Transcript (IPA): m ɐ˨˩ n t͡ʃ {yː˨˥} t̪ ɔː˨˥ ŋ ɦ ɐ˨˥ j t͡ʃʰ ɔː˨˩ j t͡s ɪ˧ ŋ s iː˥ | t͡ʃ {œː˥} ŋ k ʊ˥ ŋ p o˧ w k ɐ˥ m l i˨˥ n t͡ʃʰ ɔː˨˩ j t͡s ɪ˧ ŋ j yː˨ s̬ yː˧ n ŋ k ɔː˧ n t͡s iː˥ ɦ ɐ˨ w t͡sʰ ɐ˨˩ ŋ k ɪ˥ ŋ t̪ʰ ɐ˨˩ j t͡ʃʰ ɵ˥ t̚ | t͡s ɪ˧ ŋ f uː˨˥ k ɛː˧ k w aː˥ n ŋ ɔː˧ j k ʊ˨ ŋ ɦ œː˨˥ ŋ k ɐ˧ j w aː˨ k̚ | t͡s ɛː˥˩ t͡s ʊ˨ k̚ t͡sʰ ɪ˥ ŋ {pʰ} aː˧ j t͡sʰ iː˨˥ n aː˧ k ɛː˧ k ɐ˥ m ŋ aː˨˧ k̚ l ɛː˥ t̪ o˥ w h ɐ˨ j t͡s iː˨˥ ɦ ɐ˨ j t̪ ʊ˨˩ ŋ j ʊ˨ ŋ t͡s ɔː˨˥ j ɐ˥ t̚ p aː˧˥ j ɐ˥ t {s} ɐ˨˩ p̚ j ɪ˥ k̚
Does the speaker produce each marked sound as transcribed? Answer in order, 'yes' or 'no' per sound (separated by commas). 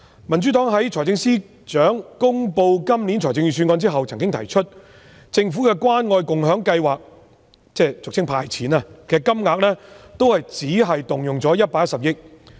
no, no, yes, yes